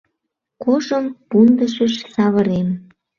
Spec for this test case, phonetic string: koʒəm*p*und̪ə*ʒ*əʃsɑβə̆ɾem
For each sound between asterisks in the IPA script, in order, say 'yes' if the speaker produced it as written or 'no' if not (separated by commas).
yes, no